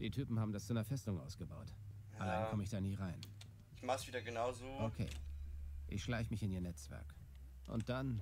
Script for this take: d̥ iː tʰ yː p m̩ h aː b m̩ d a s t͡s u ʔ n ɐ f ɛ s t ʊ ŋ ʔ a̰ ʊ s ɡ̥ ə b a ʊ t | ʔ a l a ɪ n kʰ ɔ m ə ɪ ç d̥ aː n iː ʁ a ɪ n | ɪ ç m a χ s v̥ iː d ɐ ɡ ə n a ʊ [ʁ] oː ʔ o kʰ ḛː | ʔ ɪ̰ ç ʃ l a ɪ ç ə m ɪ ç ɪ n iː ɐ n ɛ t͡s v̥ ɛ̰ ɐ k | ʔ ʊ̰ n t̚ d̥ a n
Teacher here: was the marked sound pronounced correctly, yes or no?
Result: no